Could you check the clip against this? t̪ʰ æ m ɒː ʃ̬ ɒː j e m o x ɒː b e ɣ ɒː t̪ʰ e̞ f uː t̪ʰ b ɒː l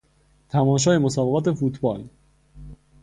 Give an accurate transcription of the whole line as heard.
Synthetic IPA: t̪ʰ æ m ɒː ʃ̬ ɒː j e m o s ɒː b e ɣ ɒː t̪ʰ e̞ f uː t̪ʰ b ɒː l